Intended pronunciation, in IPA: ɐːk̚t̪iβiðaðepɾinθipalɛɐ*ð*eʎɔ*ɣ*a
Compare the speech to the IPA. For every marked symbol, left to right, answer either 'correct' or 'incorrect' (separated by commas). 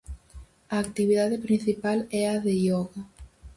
correct, correct